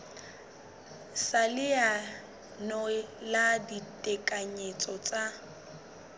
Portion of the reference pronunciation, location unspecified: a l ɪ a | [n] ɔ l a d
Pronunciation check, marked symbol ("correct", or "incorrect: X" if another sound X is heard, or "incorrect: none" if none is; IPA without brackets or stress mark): correct